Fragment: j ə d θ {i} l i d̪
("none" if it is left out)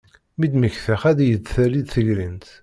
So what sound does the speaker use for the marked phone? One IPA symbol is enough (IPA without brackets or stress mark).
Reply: æ